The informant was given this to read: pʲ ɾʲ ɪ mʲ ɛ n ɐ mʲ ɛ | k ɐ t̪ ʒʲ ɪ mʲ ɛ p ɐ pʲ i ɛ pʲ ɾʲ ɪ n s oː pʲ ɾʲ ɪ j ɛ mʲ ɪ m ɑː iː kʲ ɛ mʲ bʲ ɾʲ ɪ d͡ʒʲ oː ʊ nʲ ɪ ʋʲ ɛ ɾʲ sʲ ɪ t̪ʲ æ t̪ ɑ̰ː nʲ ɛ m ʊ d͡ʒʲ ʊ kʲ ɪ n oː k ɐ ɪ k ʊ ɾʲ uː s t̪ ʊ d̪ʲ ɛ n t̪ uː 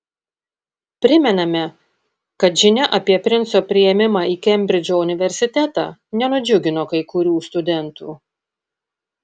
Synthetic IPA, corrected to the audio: pʲ ɾʲ ɪ mʲ ɛ n ɐ mʲ ɛ | k ɐ t̪ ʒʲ ɪ nʲ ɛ ʔ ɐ pʲ i ɛ pʲ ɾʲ ɪ n s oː pʲ ɾʲ ɪ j ɛ mʲ ɪ m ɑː iː kʲ ɛ mʲ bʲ ɾʲ ɪ d͡ʒʲ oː ʊ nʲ ɪ ʋʲ ɛ ɾʲ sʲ ɪ t̪ʲ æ t̪ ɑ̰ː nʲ ɛ n ʊ d͡ʒʲ ʊ ɡʲ ɪ n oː k ɐ ɪ k ʊ ɾʲ uː s t̪ ʊ d̪ʲ ɛ n t̪ uː